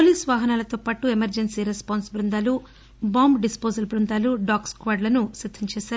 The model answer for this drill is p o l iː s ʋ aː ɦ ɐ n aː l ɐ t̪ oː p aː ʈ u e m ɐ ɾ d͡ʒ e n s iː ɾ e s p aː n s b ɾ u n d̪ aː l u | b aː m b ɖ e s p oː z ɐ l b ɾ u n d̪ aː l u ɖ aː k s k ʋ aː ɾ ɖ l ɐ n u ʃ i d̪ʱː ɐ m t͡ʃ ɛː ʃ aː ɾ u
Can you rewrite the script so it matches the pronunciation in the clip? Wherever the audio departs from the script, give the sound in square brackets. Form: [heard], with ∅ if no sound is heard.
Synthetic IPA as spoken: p o l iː s ʋ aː ɦ ɐ n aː l ɐ t̪ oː p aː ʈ u e m ɐ ɾ d͡ʒ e n s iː ɾ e s p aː n s b ɾ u n d̪ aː l u | b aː m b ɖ [i] s p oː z ɐ l b ɾ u n d̪ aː l u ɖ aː k s k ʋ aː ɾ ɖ l ɐ n u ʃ i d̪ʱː ɐ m t͡ʃ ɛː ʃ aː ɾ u